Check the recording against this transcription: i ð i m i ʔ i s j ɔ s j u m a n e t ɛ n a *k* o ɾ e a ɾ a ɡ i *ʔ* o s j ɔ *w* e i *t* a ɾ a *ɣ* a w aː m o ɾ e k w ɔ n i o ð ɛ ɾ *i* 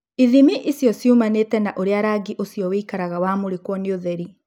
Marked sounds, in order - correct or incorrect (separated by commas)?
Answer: incorrect, correct, correct, incorrect, correct, correct